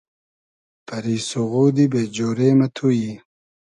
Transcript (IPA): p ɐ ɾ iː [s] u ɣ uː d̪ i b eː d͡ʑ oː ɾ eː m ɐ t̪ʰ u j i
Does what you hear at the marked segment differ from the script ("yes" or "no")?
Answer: no